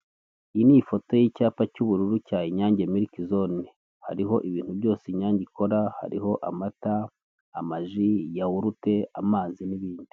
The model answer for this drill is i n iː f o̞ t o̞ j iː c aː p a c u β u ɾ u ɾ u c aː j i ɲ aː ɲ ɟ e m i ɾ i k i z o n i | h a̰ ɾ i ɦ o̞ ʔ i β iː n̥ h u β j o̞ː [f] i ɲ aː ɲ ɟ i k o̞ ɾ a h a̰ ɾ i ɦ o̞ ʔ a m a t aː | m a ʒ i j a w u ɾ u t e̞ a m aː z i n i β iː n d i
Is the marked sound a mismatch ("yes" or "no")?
yes